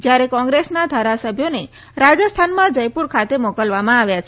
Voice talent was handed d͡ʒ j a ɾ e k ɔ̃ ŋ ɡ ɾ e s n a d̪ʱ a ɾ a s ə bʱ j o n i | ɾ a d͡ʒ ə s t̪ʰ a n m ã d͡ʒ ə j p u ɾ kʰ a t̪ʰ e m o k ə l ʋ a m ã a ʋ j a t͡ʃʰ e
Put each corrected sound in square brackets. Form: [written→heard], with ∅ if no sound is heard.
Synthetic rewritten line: d͡ʒ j a ɾ e k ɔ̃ ŋ ɡ ɾ e s n a d̪ʱ a ɾ a s ə bʱ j o n [i→e] | ɾ a d͡ʒ ə s t̪ʰ a n m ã d͡ʒ ə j p u ɾ kʰ a [t̪ʰ→t̪] e m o k ə l ʋ a m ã a ʋ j a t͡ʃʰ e

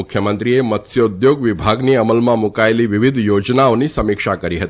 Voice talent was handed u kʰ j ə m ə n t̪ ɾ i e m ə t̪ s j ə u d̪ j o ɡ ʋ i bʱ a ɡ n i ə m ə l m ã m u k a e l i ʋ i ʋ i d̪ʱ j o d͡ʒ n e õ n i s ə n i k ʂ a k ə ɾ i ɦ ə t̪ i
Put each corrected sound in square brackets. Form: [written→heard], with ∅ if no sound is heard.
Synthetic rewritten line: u kʰ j ə m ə n t̪ ɾ i e m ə t̪ s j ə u d̪ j o ɡ ʋ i bʱ a ɡ n i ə m ə l m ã m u k a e l i ʋ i ʋ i d̪ʱ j o d͡ʒ n [e→a] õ n i s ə [n→m] i k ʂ a k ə ɾ i ɦ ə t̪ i

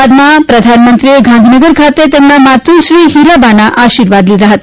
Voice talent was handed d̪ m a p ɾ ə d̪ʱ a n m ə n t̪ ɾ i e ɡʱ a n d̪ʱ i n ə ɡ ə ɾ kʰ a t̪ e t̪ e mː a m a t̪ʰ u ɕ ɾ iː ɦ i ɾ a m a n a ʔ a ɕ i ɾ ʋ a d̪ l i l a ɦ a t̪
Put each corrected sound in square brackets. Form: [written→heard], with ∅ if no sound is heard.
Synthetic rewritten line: d̪ m a p ɾ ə d̪ʱ a n m ə n t̪ ɾ i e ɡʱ a n d̪ʱ i n ə ɡ ə ɾ kʰ a t̪ e t̪ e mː a m a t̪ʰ u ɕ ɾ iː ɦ i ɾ a [m→b] a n a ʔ a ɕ i ɾ ʋ a d̪ l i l a ɦ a t̪

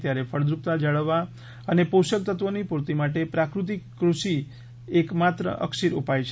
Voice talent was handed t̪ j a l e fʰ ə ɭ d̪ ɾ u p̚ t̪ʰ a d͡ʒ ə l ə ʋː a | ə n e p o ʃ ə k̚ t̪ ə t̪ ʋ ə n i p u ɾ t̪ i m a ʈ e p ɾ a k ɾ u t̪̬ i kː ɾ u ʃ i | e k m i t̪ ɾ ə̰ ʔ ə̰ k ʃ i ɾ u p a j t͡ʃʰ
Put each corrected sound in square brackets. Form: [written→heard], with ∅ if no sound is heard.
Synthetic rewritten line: t̪ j a [l→ɾ] e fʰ ə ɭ d̪ ɾ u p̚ [t̪ʰ→t̪] a d͡ʒ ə [l→ɭ] ə ʋː a | ə n e p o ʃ ə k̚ t̪ ə t̪ ʋ ə n i p u ɾ t̪ i m a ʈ e p ɾ a k ɾ u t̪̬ i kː ɾ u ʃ i | e k m [i→a] t̪ ɾ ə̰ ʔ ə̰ k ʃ i ɾ u p a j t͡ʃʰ

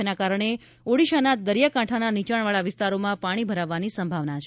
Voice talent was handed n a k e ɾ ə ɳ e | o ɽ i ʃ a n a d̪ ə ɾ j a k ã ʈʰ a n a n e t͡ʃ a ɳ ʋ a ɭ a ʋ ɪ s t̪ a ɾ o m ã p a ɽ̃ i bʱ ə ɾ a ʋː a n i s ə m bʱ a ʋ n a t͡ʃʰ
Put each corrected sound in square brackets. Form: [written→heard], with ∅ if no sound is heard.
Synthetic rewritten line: n a k [e→a] ɾ ə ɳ e | o ɽ i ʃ a n a d̪ ə ɾ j a k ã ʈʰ a n a n [e→i] t͡ʃ a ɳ ʋ a ɭ a ʋ ɪ s t̪ a ɾ o m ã p a ɽ̃ i bʱ ə ɾ a ʋː a n i s ə m bʱ a ʋ n a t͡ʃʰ

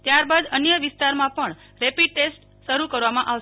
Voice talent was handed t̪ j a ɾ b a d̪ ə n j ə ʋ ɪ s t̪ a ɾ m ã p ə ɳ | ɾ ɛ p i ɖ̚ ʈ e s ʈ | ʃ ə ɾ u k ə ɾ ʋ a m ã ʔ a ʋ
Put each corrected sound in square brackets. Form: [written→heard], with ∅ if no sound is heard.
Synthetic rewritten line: t̪ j a ɾ b a d̪ ə n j ə ʋ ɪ s t̪ a ɾ m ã p ə ɳ | ɾ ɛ p i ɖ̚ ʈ e s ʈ | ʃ ə ɾ u k ə ɾ ʋ a m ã ʔ a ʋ

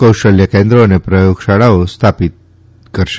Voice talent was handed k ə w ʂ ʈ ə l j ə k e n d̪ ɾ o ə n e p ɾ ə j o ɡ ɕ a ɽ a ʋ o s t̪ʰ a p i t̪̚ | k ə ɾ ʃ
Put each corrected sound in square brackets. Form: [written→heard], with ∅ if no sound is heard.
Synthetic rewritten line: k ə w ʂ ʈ ə l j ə k e n d̪ ɾ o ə n e p ɾ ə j o ɡ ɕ a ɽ a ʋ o s t̪ʰ a p i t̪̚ | k ə ɾ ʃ

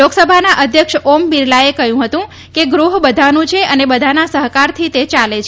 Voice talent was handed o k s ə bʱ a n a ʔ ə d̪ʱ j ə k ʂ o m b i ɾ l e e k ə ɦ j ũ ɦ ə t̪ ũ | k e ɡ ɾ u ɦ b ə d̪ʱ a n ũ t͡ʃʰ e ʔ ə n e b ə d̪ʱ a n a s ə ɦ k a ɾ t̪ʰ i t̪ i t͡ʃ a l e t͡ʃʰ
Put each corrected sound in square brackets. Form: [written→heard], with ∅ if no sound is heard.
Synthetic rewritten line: o k s ə bʱ a n a ʔ ə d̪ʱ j ə k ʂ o m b i ɾ l [e→a] e k ə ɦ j ũ ɦ ə t̪ ũ | k e ɡ ɾ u ɦ b ə d̪ʱ a n ũ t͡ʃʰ e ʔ ə n e b ə d̪ʱ a n a s ə ɦ k a ɾ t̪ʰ i t̪ [i→e] t͡ʃ a l e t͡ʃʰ

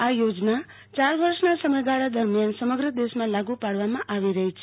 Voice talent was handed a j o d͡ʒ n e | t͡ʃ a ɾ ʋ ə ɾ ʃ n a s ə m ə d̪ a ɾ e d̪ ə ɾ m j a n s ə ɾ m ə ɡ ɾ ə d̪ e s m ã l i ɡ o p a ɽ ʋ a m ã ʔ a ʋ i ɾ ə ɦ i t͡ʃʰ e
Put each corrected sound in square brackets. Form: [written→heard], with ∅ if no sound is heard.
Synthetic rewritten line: a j o d͡ʒ n [e→a] | t͡ʃ a ɾ ʋ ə ɾ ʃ n a s ə m ə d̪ a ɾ [e→a] d̪ ə ɾ m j a n s ə [ɾ→∅] m ə ɡ ɾ ə d̪ e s m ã l [i→a] ɡ [o→u] p a ɽ ʋ a m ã ʔ a ʋ i ɾ ə ɦ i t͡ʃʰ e

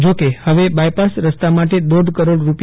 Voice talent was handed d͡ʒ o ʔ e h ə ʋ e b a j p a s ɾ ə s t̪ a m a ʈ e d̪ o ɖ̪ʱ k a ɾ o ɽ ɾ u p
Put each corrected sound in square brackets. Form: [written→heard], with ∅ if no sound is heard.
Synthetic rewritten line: d͡ʒ o [ʔ→k] e h ə ʋ e b a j p a s ɾ ə s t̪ a m a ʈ e d̪ o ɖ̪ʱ k [a→ə] ɾ o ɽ ɾ u p

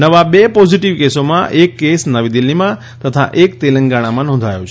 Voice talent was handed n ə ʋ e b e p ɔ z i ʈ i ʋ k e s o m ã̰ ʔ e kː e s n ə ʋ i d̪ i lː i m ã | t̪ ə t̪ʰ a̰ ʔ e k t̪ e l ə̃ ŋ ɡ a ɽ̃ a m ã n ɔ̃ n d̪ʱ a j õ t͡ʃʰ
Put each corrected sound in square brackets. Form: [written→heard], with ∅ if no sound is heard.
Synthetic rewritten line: n ə ʋ [e→a] b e p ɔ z i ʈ i ʋ k e s o m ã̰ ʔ e kː e s n ə ʋ i d̪ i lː i m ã | t̪ ə t̪ʰ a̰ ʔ e k t̪ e l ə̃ ŋ ɡ a ɽ̃ a m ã n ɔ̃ n d̪ʱ a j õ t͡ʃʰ

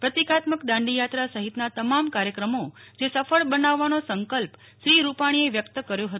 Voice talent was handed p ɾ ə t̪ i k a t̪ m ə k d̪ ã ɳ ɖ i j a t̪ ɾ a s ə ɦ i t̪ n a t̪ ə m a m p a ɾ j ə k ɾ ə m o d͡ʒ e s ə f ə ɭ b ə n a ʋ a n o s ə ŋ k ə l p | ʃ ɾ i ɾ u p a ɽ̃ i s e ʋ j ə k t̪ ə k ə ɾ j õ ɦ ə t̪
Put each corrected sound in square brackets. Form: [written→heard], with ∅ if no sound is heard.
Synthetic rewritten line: p ɾ ə t̪ i k a t̪ m ə k d̪ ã ɳ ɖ i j a t̪ ɾ a s ə ɦ i t̪ n a t̪ ə m a m [p→k] a ɾ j ə k ɾ ə m o d͡ʒ e s ə f ə ɭ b ə n a [ʋ→ʋː] a n o s ə ŋ k ə l p | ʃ ɾ i ɾ u p a ɽ̃ i [s→∅] e ʋ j ə k t̪ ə k ə ɾ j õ ɦ ə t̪

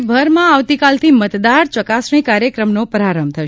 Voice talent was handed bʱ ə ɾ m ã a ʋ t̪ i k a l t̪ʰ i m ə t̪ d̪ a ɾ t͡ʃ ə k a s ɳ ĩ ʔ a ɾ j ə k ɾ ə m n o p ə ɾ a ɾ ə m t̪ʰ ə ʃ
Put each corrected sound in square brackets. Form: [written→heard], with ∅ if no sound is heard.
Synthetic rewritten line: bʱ ə ɾ m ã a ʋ t̪ i k a l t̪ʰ i m ə t̪ d̪ a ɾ t͡ʃ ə k a s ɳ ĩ [ʔ→k] a ɾ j ə k ɾ ə m n o p ə ɾ a ɾ ə m t̪ʰ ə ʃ

